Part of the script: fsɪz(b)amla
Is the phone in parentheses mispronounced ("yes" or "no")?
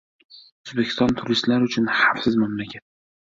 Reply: yes